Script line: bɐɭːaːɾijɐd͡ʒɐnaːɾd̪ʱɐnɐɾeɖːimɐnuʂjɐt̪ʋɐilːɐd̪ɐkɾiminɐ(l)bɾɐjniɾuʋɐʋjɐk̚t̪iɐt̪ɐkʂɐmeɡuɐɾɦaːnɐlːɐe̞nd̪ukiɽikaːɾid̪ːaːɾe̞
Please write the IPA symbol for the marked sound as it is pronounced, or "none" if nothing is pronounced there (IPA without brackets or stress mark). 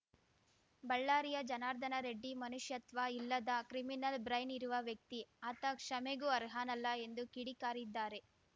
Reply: l